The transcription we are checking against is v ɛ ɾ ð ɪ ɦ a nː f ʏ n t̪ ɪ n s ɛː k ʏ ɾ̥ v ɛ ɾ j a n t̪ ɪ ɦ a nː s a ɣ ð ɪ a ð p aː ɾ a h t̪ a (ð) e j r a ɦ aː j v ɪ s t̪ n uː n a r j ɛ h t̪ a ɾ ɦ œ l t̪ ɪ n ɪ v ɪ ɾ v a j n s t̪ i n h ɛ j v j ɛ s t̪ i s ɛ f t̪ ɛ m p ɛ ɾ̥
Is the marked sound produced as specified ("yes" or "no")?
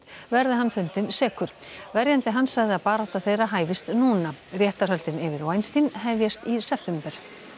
no